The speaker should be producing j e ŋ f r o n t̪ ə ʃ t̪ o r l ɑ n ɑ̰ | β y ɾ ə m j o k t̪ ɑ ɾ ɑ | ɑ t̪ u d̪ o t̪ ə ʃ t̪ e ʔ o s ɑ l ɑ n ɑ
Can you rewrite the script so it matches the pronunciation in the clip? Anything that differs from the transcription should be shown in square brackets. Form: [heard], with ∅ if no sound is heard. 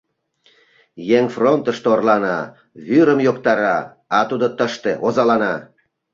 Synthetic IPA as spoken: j e ŋ f r o n t̪ ə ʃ t̪ o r l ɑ n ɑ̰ | β y ɾ ə m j o k t̪ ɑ ɾ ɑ | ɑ t̪ u d̪ o t̪ ə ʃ t̪ e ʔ o [z] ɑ l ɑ n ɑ

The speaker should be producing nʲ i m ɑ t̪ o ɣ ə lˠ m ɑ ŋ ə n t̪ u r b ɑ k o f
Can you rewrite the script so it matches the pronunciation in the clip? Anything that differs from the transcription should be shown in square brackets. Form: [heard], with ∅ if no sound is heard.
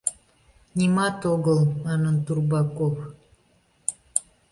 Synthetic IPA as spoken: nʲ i m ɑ t̪ o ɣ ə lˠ m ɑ [n] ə n t̪ u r b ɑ k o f

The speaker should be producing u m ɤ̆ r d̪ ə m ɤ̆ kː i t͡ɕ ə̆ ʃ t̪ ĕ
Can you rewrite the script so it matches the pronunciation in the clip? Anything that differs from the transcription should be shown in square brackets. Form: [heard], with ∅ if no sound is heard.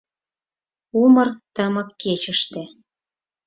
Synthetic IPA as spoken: u m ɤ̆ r [t̪] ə m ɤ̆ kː [e] t͡ɕ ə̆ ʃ t̪ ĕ

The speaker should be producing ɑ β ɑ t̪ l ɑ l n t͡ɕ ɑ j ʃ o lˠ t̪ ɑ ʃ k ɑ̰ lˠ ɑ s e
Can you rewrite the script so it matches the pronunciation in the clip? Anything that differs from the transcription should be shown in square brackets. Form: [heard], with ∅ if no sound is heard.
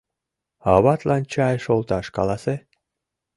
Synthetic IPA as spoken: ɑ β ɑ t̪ l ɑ [∅] n t͡ɕ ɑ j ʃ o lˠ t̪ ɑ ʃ k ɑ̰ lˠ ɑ s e

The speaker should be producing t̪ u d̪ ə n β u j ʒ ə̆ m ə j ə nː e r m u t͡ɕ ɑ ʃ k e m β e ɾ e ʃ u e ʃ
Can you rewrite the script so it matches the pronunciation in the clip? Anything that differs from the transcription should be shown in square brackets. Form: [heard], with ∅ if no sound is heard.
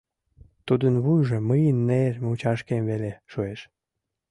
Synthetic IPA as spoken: t̪ u d̪ ə n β u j ʒ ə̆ m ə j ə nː e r m u t͡ɕ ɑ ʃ k e m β e [l] e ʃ u e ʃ

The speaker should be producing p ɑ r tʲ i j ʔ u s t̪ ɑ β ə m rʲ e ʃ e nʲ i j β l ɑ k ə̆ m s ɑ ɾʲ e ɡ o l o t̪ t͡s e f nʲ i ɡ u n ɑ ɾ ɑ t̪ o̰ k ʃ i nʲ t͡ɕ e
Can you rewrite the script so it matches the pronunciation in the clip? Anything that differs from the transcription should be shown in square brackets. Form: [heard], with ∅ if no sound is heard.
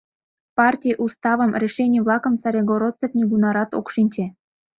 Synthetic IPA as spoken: p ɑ r tʲ i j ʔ u s t̪ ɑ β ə m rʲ e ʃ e nʲ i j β l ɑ k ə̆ m s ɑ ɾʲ e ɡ o [ɾ] o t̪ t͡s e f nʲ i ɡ u n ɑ ɾ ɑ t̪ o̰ k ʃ i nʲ t͡ɕ e

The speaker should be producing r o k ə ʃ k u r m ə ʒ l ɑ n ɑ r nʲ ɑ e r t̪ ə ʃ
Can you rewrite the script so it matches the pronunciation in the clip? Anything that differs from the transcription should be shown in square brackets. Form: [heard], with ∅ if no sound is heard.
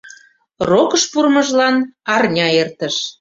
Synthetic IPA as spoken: r o k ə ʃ [p] u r m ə ʒ l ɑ n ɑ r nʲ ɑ e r t̪ ə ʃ

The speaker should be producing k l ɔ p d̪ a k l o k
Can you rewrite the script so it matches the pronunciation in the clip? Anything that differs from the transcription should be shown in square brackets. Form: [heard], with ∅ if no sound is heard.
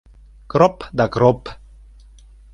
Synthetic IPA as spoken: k [ɾ] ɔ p d̪ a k [ɾ] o [p]

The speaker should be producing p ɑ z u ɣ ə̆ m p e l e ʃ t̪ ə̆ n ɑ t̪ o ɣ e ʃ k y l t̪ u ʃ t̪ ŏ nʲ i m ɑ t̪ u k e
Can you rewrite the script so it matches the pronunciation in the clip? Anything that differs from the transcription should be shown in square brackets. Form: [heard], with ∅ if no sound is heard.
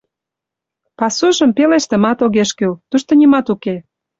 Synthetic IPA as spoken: p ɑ [s] u [ʒ] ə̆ m p e l e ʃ t̪ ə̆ [m] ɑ t̪ o ɣ e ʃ k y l t̪ u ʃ t̪ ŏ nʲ i m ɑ t̪ u k e

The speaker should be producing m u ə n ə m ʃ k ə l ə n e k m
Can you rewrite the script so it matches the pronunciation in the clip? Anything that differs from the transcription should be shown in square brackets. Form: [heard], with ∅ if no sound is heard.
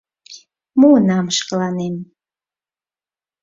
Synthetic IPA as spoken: m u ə n [ɑ] m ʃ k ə l [ɑ] n e [∅] m

